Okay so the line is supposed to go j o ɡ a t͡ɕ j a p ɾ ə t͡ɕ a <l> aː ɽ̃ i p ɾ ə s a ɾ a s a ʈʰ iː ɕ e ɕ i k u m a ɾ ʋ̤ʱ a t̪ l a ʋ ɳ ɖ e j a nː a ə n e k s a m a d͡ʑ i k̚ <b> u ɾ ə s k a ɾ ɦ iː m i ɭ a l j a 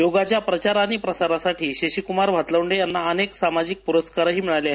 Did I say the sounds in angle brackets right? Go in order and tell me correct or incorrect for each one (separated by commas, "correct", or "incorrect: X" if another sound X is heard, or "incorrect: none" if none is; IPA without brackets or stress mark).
incorrect: ɾ, incorrect: p